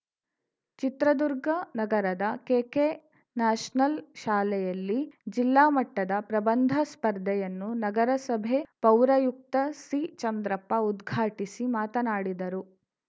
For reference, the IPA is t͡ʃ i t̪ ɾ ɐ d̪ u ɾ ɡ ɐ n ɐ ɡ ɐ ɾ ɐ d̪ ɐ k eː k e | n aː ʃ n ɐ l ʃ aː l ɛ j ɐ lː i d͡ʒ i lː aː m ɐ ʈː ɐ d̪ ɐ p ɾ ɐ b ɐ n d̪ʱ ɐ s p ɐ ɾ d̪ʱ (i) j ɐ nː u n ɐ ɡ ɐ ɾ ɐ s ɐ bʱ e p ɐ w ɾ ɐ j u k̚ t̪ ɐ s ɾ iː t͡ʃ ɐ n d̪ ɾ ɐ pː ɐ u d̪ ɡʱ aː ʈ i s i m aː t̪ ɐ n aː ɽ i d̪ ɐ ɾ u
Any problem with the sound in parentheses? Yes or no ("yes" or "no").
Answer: yes